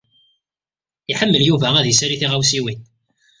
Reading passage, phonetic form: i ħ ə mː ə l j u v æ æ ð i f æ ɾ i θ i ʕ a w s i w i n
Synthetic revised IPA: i ħ ə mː ə l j u v æ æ ð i s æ ɾ i θ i ʁ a w s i w i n